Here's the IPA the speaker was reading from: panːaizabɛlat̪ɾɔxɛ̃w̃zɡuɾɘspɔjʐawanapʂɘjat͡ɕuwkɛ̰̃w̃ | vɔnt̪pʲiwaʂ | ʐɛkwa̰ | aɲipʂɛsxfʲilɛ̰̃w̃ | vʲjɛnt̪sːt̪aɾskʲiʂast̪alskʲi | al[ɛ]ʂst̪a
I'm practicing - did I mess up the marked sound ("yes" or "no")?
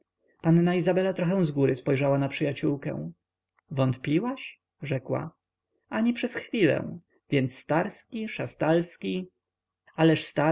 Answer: no